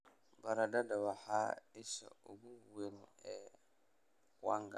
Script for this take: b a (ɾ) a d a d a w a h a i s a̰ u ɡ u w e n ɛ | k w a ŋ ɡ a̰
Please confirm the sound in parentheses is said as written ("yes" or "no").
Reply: yes